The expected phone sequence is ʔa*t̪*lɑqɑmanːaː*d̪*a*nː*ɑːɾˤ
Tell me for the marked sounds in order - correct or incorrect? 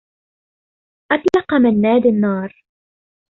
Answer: correct, correct, correct

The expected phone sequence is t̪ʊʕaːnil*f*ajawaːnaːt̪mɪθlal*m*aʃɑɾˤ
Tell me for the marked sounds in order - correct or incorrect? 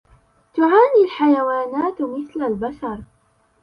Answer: incorrect, incorrect

